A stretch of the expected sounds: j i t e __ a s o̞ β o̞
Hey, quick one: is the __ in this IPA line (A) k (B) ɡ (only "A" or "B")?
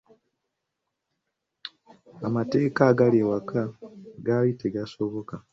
B